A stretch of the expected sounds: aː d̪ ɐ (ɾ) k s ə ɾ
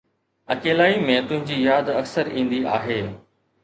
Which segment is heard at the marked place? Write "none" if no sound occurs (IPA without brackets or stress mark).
none